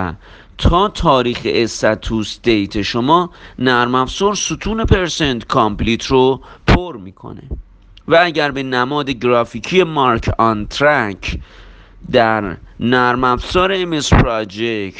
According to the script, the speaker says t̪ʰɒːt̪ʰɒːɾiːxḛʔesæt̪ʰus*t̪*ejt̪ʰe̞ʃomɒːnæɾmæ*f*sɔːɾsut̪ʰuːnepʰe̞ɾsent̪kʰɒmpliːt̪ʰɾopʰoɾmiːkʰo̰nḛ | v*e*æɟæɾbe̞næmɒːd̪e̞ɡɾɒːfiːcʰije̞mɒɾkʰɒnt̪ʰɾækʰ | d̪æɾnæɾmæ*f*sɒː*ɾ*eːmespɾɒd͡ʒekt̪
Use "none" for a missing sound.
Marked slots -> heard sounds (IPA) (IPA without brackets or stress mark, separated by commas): d̪, f, æ, f, ɾ